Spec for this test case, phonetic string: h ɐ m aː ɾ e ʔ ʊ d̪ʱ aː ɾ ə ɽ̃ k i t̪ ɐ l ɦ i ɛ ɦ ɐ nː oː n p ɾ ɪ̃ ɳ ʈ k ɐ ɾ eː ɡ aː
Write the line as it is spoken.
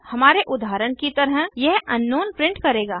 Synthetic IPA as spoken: h ɐ m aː ɾ e ʔ ʊ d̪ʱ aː ɾ ə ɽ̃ k i t̪ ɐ ɾ ɦ j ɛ ɦ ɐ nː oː n p ɾ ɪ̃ ɳ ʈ k ɐ ɾ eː ɡ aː

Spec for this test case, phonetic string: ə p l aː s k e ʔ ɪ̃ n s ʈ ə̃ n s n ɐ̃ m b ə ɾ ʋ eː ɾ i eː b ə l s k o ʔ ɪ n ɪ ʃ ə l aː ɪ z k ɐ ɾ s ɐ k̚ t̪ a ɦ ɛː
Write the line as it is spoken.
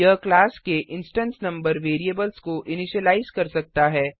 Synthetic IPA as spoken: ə k l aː s k e ʔ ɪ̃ n s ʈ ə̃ n s n ɐ̃ m b ə ɾ ʋ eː ɾ i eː b ə l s k o ʔ ɪ n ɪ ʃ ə l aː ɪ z k ɐ ɾ s ɐ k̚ t̪ a ɦ ɛː

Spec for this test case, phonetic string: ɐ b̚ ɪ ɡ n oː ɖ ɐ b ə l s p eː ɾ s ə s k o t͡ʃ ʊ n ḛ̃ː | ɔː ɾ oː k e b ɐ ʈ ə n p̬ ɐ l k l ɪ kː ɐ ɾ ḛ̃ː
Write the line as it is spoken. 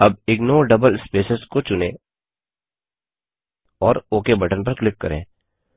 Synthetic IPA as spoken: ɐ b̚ ɪ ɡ n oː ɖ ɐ b ə l s p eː s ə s k o t͡ʃ ʊ n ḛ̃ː | ɔː ɾ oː k e b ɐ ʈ ə n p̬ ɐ ɾ k l ɪ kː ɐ ɾ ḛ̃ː

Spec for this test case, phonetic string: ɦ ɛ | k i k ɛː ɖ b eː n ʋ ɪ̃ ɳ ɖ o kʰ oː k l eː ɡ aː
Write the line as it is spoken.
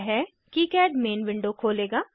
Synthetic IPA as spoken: ɦ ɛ | k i k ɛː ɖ m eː n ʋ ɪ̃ ɳ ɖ o kʰ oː l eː ɡ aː

